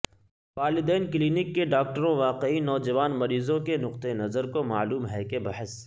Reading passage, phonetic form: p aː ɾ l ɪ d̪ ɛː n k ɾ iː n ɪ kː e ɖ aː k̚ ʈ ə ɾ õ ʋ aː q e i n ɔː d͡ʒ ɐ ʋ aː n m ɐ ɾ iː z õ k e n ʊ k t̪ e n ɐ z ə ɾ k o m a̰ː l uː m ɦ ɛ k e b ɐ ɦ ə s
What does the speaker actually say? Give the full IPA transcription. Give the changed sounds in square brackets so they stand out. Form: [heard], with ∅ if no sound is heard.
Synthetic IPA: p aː ɾ l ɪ d̪ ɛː n k [l] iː n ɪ kː e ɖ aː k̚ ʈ ə ɾ õ ʋ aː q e i n ɔː d͡ʒ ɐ ʋ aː n m ɐ ɾ iː z õ k e n ʊ [q] t̪ e n ɐ z ə ɾ k o m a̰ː l uː m ɦ ɛ k e b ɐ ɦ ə s